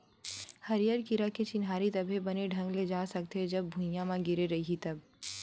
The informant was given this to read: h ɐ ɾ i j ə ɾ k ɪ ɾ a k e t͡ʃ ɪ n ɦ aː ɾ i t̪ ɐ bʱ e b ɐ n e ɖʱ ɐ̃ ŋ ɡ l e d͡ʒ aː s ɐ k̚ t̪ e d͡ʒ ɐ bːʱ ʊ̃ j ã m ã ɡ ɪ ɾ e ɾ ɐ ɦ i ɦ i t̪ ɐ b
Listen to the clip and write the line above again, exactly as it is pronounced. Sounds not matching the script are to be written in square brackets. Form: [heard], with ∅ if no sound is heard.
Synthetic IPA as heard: h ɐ ɾ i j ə ɾ k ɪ ɾ a k e t͡ʃ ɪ n ɦ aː ɾ i t̪ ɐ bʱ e b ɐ n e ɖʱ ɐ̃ ŋ ɡ l e d͡ʒ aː s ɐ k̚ t̪ e d͡ʒ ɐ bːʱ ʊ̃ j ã m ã ɡ ɪ ɾ e ɾ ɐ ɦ i ɦ i t̪ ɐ b

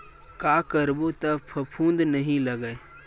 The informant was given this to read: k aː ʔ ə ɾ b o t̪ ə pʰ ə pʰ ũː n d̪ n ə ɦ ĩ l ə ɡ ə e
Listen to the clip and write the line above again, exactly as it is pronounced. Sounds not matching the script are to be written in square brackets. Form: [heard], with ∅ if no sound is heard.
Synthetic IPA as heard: k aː [k] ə ɾ b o t̪ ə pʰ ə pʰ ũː n d̪ n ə ɦ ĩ l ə ɡ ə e

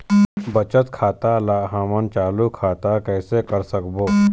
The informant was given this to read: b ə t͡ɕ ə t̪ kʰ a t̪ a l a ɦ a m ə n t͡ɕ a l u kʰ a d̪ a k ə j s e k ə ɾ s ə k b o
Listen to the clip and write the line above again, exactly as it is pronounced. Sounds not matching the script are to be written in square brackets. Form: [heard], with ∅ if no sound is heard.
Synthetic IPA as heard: b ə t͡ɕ ə t̪ kʰ a t̪ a l a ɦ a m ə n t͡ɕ a l u kʰ a [t̪] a k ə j s e k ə ɾ s ə k b o

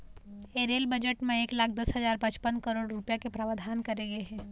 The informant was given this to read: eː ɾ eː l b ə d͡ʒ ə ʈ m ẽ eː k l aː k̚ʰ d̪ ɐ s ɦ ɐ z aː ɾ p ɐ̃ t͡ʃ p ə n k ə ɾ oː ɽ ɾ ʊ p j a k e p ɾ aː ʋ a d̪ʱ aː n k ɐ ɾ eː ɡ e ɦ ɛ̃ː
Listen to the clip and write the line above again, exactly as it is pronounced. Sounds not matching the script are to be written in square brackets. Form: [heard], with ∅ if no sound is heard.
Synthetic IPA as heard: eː ɾ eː l b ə d͡ʒ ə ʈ m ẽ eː k l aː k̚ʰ d̪ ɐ s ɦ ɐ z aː ɾ p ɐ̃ t͡ʃ p ə n k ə ɾ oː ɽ ɾ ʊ p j a k e p ɾ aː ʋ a d̪ʱ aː n k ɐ ɾ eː ɡ e ɦ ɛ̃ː

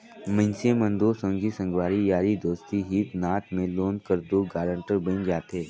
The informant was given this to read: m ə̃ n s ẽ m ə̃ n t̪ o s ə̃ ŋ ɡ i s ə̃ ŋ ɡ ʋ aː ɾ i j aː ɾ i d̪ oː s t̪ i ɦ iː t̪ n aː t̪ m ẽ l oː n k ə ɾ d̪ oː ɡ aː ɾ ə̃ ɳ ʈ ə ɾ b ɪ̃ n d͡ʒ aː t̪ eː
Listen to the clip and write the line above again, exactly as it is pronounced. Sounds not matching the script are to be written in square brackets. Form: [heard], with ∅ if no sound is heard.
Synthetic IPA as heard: m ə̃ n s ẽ m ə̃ n [d̪] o s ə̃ ŋ ɡ i s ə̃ ŋ ɡ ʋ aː ɾ i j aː ɾ i d̪ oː s t̪ i ɦ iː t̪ n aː t̪ m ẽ l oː n k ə ɾ d̪ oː ɡ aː ɾ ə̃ ɳ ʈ ə ɾ b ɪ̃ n d͡ʒ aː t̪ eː

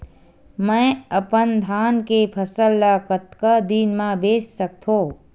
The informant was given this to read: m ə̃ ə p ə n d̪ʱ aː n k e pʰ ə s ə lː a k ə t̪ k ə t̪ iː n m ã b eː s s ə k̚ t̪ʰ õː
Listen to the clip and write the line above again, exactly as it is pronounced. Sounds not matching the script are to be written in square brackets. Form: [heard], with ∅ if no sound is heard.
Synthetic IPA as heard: m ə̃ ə p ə n d̪ʱ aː n k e pʰ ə s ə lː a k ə t̪ k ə [d̪] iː n m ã b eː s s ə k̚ t̪ʰ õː

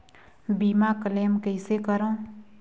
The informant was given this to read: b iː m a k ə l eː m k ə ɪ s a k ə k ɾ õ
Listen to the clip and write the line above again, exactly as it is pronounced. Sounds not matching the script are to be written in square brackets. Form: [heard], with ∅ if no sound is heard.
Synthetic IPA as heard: b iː m a k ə l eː m k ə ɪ s [e] k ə [∅] ɾ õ

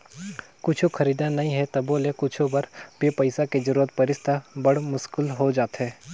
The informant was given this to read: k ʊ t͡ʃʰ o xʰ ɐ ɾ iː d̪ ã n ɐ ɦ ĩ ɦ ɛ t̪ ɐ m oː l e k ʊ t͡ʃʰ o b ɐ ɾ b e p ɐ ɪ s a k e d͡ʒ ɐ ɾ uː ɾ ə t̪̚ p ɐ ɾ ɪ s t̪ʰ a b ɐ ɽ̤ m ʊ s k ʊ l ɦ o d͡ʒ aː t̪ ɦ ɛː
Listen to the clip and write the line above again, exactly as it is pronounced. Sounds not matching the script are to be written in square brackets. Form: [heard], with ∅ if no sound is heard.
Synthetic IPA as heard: k ʊ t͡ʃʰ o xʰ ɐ ɾ iː d̪ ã n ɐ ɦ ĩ ɦ ɛ t̪ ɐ [b] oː l e k ʊ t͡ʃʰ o b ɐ ɾ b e p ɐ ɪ s a k e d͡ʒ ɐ ɾ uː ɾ ə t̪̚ p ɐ ɾ ɪ s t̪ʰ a b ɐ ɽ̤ m ʊ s k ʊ l ɦ o d͡ʒ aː t̪ ɦ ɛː

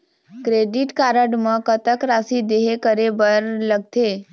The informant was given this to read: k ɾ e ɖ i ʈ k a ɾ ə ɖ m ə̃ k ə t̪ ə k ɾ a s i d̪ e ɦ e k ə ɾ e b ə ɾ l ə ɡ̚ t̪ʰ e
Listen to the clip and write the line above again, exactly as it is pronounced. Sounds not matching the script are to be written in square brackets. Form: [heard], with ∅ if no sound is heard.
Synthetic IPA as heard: k ɾ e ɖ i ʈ k a ɾ ə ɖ m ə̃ k ə t̪ ə k ɾ a s i d̪ e ɦ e k ə ɾ e b ə ɾ l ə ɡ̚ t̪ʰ e

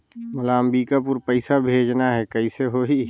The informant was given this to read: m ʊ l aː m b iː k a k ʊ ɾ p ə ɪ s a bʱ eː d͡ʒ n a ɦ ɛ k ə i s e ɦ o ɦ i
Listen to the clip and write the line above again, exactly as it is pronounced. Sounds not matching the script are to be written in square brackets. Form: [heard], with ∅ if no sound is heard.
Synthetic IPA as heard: m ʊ l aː m b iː k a [p] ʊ ɾ p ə ɪ s a bʱ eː d͡ʒ n a ɦ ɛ k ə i s e ɦ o ɦ i

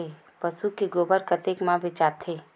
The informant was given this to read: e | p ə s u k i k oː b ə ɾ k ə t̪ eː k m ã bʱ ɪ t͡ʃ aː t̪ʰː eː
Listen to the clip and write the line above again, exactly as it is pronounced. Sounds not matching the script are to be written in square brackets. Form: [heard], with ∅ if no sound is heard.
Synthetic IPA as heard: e | p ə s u k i [ɡ] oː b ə ɾ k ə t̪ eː k m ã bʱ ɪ t͡ʃ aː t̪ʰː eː

